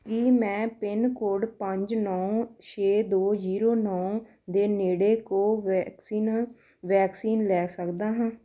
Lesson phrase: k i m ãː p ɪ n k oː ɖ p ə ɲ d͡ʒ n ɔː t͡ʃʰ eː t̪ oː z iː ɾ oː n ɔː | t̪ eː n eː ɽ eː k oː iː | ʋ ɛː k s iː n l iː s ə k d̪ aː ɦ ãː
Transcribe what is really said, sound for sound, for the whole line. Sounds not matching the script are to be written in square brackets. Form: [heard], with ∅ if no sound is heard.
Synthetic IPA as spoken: k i m [ɛ̃ː] p ɪ n k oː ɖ p ə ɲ d͡ʒ n ɔː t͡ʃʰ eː [d̪] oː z iː ɾ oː n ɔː | [d̪] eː n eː ɽ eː k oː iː | ʋ ɛː k s iː n l [ɛː] s ə k d̪ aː ɦ ãː